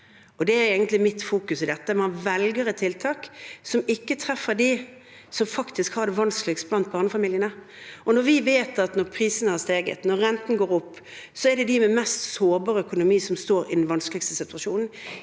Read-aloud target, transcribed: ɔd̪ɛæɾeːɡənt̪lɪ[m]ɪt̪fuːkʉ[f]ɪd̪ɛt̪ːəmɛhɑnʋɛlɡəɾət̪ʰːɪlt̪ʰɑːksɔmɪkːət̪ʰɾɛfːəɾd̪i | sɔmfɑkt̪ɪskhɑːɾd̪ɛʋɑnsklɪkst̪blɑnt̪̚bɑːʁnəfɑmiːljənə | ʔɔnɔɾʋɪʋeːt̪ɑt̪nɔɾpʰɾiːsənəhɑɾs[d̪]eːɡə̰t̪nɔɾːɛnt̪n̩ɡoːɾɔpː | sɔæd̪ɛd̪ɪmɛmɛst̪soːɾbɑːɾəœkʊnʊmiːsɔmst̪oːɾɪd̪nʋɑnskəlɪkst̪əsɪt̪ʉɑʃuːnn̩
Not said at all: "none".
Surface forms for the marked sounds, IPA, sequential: m, s, t̪

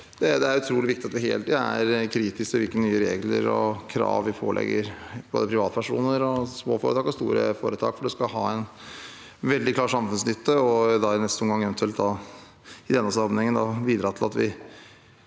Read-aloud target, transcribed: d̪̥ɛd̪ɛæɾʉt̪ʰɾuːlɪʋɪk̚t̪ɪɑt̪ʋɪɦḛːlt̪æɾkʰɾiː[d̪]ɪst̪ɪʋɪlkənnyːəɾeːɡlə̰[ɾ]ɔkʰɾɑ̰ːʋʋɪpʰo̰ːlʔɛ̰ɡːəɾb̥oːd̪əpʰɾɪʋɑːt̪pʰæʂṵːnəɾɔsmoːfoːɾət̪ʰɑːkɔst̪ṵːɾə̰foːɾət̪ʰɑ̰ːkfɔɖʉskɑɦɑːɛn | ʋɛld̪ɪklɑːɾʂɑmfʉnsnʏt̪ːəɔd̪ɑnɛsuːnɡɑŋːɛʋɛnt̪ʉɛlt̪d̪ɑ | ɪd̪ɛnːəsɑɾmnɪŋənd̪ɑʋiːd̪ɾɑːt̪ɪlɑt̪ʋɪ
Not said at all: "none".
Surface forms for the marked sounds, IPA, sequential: t̪, ɾ

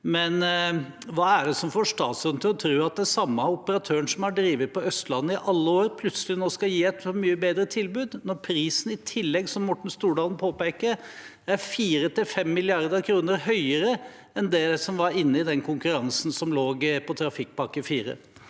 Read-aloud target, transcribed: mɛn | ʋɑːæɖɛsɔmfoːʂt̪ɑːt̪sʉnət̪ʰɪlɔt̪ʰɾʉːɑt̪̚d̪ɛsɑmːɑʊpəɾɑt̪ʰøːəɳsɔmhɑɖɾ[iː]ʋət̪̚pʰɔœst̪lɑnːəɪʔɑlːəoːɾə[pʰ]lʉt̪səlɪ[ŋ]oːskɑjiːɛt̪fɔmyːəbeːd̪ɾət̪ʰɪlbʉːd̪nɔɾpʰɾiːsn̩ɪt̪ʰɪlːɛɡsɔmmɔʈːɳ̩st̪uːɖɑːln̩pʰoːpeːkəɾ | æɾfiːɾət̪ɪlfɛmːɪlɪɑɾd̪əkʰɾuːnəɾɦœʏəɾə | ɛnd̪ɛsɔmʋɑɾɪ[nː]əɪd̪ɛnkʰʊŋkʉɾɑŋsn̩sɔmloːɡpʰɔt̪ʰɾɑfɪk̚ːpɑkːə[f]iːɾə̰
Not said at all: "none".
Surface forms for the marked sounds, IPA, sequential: iː, pʰ, n, nː, f

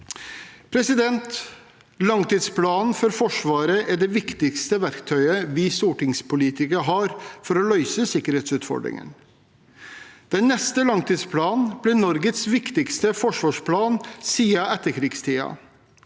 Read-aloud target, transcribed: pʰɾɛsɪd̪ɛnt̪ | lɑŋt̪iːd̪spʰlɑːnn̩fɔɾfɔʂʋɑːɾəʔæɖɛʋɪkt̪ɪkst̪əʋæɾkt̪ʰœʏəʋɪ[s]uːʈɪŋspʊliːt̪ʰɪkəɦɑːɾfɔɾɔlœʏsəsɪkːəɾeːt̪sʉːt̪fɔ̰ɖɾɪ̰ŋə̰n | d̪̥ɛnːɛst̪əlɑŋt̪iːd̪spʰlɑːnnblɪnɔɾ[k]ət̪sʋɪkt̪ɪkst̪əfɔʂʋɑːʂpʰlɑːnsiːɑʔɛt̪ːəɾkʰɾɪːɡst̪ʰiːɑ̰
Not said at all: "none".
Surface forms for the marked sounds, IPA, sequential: s, ɡ

